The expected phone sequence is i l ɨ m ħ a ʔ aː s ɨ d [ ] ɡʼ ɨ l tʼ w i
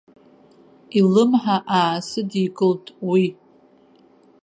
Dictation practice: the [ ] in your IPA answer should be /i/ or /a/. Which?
i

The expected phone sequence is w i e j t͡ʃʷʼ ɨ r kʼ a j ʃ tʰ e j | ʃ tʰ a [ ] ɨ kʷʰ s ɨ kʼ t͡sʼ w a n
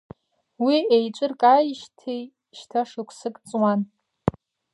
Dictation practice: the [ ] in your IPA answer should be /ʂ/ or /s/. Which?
ʂ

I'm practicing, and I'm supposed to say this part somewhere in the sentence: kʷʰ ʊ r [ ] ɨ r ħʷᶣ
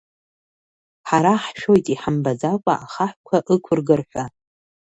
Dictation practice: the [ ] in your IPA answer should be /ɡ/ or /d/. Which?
ɡ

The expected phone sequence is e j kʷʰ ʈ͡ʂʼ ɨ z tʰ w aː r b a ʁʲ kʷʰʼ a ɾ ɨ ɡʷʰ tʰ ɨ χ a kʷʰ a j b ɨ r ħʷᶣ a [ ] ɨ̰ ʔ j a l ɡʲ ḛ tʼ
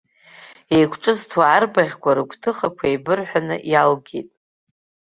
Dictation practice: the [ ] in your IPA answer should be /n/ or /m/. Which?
n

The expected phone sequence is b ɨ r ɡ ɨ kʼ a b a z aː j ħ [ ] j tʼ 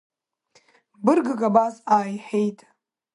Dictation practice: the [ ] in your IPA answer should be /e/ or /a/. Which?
e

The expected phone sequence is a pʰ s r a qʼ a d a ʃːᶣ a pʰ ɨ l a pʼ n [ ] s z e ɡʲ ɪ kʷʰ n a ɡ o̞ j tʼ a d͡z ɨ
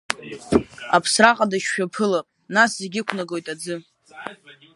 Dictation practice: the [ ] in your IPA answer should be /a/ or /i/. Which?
a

